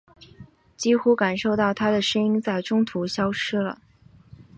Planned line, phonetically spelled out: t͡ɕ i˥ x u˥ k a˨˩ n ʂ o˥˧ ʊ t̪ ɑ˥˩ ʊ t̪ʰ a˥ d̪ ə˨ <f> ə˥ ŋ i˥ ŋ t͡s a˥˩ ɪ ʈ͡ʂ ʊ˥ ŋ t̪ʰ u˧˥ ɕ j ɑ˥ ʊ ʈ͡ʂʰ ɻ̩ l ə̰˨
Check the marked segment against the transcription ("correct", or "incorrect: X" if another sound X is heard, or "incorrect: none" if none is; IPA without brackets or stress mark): incorrect: ʂ